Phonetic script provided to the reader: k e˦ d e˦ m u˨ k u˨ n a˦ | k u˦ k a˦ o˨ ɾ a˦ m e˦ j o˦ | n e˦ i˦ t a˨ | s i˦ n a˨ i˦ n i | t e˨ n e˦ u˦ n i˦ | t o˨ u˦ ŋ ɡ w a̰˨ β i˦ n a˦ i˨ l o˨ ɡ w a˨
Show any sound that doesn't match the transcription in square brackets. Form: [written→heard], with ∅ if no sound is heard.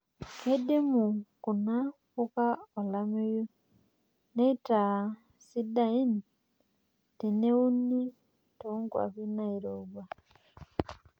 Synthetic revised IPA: k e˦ d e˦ m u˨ k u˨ n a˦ | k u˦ k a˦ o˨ [ɾ→l] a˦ m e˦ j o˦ | n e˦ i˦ t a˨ | s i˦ [n→d] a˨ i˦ n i | t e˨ n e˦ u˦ n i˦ | t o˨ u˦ ŋ ɡ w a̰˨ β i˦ n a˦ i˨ [l→ɾ] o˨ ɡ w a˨